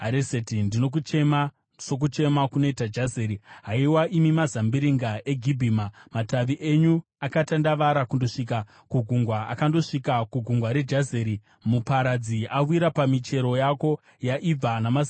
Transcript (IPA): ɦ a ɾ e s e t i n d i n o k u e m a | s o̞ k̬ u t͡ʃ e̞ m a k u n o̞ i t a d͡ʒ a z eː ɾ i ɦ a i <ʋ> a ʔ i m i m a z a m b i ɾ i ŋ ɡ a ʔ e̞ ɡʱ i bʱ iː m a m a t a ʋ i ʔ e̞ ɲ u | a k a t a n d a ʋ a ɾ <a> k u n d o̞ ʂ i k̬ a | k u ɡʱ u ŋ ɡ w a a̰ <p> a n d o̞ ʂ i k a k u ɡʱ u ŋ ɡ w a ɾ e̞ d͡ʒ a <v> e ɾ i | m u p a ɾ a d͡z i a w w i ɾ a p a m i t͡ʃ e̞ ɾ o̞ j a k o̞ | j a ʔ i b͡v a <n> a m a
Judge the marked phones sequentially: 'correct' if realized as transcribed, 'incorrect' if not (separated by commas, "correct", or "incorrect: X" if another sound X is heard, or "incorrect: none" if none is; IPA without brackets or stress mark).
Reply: incorrect: w, correct, incorrect: k, incorrect: z, correct